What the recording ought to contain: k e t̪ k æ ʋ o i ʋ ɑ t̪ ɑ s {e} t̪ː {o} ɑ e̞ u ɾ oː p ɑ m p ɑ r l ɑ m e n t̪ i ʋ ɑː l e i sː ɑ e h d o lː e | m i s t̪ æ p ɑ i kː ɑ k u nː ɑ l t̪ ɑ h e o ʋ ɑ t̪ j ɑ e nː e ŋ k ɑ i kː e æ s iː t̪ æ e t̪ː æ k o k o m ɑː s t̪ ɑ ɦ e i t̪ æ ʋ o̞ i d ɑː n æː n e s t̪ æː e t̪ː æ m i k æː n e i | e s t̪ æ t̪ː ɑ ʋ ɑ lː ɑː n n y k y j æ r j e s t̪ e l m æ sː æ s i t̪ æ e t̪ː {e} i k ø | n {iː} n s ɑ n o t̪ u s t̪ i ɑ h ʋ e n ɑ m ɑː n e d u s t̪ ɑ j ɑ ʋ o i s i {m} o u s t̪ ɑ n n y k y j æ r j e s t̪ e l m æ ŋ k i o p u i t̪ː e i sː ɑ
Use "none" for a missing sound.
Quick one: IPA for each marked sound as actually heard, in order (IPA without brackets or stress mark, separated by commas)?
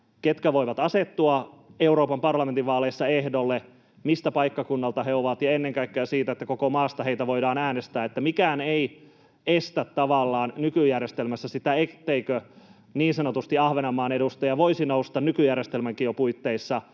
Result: e, u, e, iː, n